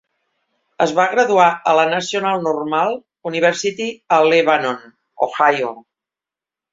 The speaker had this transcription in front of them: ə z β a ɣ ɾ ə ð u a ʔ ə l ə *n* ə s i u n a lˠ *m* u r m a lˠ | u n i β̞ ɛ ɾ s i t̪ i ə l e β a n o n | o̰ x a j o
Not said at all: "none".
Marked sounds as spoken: n, n

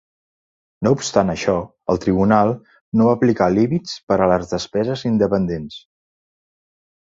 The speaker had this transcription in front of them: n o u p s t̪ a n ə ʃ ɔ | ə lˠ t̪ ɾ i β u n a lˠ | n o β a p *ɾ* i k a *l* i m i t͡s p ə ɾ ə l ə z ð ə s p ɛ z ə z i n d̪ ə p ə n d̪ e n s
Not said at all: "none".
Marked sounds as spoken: l, l

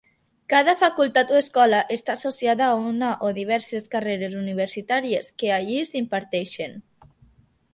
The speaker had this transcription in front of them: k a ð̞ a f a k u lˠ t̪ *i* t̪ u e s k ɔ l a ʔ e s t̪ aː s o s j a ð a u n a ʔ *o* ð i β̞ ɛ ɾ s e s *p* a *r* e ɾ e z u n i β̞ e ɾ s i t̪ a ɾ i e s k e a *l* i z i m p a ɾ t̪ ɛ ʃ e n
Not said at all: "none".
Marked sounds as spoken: a, o, k, r, ʎ

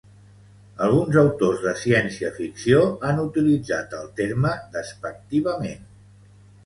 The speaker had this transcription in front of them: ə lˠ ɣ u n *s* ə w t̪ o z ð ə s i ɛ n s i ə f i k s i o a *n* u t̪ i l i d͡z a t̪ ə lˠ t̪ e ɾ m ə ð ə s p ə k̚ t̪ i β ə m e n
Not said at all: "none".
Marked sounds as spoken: z, n

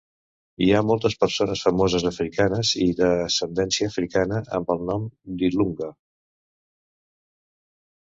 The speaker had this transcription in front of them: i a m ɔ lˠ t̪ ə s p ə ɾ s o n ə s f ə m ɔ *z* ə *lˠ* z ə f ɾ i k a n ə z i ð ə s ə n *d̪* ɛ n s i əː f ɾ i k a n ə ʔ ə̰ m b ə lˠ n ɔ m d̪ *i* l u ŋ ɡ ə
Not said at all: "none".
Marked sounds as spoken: z, none, d̪, i

